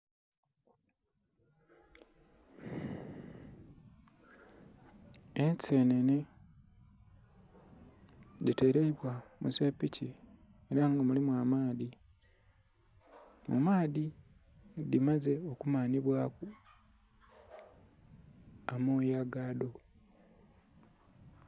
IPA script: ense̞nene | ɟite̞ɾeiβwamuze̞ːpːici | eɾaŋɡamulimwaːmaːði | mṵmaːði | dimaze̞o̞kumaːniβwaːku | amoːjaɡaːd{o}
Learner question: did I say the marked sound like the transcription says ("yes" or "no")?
yes